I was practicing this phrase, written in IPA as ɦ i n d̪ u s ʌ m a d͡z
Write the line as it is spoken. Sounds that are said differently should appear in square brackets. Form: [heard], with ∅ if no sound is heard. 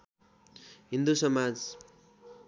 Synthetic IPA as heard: ɦ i n d̪ u s ʌ m a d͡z